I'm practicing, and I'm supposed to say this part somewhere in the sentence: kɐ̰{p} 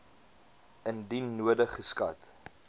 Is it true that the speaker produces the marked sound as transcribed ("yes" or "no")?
no